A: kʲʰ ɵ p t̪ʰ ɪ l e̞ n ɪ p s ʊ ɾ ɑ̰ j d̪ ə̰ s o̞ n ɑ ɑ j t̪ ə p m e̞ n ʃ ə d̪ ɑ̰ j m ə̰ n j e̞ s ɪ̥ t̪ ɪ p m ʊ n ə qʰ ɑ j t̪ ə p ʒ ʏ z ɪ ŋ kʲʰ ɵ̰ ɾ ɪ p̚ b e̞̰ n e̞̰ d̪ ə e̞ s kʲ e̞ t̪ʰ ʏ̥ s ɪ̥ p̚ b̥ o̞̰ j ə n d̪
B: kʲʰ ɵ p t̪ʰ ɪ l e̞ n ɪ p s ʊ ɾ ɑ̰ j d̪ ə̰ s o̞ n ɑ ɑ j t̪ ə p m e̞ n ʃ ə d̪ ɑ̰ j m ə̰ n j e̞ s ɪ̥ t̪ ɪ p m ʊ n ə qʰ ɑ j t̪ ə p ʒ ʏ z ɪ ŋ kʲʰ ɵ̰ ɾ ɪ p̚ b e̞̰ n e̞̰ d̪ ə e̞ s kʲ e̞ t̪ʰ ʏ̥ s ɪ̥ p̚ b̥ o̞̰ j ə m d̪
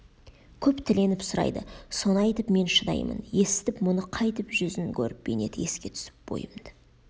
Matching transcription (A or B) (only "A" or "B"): B